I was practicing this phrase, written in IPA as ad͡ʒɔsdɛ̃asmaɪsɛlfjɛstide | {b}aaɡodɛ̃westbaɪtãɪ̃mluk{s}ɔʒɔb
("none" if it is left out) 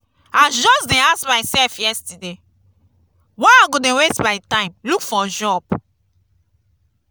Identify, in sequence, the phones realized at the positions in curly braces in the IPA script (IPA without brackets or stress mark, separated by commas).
w, f